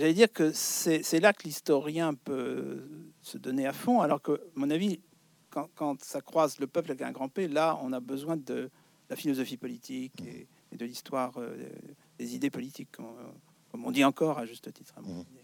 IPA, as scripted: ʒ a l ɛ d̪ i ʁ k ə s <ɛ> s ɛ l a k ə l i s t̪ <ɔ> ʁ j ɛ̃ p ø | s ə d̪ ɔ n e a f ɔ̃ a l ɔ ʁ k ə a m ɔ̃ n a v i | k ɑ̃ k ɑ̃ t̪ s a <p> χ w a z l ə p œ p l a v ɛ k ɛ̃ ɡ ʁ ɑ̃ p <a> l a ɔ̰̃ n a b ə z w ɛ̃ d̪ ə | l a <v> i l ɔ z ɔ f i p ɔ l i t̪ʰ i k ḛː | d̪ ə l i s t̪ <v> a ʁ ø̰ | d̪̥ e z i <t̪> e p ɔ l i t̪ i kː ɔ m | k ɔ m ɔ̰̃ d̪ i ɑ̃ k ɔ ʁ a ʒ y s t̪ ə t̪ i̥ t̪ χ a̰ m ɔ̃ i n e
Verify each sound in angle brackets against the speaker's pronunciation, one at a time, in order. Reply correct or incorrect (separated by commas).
correct, correct, incorrect, incorrect, incorrect, incorrect, incorrect